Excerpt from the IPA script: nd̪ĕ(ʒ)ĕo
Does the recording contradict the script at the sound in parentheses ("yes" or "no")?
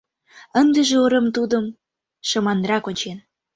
no